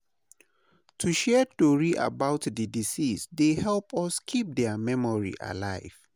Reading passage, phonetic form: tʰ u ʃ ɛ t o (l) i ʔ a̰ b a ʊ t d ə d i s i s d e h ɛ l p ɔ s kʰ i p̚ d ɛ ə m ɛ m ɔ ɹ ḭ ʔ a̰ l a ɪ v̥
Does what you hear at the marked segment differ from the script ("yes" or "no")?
yes